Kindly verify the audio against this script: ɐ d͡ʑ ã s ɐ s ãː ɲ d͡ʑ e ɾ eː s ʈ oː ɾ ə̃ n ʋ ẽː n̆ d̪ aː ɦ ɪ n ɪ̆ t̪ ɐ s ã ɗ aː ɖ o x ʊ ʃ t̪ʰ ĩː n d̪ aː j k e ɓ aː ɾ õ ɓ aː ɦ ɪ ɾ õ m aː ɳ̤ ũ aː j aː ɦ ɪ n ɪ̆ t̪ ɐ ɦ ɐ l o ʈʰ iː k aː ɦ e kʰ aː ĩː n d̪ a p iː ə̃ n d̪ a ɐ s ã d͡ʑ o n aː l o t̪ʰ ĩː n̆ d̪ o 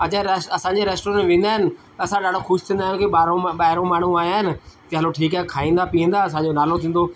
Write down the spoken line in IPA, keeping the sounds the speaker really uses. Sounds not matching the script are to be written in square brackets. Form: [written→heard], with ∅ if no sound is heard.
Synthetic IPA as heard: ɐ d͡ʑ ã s ɐ s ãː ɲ d͡ʑ e ɾ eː s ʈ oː ɾ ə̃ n ʋ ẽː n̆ d̪ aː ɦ ɪ n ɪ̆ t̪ ɐ s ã ɗ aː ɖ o x ʊ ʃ t̪ʰ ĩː n d̪ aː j k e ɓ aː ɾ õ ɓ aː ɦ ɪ ɾ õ m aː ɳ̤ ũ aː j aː ɦ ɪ n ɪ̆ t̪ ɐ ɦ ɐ l o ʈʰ iː k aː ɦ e kʰ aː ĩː n d̪ a p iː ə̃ n d̪ a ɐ s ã d͡ʑ o n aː l o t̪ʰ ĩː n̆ d̪ o

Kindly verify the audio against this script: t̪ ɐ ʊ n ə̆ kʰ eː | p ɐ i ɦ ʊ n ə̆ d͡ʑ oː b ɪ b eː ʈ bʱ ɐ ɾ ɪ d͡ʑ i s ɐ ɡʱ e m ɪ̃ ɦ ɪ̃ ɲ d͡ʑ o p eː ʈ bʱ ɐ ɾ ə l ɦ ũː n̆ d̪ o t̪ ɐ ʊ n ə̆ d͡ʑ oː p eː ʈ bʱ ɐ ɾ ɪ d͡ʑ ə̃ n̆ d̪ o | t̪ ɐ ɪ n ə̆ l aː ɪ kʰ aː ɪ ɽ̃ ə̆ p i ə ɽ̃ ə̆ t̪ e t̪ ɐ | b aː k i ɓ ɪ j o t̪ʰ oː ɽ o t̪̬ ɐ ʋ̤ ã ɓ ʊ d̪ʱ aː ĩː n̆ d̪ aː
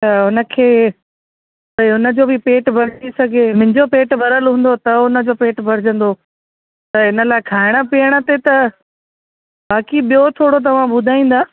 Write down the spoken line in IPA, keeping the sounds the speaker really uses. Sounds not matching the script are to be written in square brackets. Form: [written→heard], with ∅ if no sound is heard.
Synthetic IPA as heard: t̪ ɐ ʊ n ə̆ kʰ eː | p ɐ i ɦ ʊ n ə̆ d͡ʑ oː b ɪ [b→p] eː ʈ bʱ ɐ ɾ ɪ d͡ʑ i s ɐ ɡʱ e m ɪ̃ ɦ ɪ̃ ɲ d͡ʑ o p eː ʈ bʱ ɐ ɾ ə l ɦ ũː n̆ d̪ o t̪ ɐ ʊ n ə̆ d͡ʑ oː p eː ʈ bʱ ɐ ɾ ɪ d͡ʑ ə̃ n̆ d̪ o | t̪ ɐ ɪ n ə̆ l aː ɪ kʰ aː ɪ ɽ̃ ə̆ p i ə ɽ̃ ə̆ t̪ e t̪ ɐ | b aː k i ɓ [ɪ→i] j o t̪ʰ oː ɽ o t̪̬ ɐ ʋ̤ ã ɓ ʊ d̪ʱ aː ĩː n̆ d̪ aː

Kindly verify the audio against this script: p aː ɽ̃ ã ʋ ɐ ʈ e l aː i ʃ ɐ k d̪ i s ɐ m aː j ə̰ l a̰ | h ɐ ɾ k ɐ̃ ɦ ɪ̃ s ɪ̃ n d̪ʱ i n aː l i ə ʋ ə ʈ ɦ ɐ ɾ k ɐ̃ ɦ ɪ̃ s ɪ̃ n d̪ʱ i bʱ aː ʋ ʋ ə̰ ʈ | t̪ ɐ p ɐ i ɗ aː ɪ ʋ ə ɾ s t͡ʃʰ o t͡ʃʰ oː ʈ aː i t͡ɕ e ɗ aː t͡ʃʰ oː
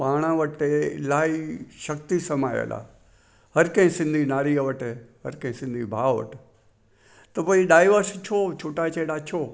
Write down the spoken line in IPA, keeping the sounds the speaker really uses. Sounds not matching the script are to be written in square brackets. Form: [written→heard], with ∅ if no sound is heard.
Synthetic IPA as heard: p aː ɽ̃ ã ʋ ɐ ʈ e l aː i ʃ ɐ k [d̪→t̪] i s ɐ m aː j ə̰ l a̰ | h ɐ ɾ k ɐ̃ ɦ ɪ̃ s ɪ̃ n d̪ʱ i n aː [l→ɾ] i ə ʋ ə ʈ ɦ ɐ ɾ k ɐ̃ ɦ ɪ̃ s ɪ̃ n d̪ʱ i bʱ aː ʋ ʋ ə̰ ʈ | t̪ ɐ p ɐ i ɗ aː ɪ ʋ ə ɾ s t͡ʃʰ o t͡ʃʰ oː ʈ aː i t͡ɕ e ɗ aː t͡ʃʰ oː

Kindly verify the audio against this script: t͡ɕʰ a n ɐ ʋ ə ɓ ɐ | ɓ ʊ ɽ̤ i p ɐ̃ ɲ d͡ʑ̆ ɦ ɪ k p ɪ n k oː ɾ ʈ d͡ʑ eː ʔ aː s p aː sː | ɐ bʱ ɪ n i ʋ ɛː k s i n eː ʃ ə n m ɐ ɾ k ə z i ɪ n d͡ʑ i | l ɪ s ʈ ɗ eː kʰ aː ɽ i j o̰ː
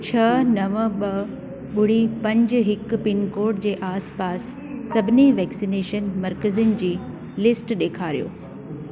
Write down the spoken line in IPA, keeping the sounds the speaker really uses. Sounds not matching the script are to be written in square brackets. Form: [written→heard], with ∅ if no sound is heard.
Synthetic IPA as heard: t͡ɕʰ [a→ɐ] n ɐ ʋ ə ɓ ɐ | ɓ ʊ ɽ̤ i p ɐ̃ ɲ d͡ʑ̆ ɦ ɪ k p ɪ n k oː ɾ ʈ d͡ʑ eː ʔ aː s p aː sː | ɐ bʱ ɪ n i ʋ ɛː k s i n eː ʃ ə n m ɐ ɾ k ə z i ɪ n d͡ʑ [i→iː] | l ɪ s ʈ ɗ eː kʰ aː [ɽ→ɾ] i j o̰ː

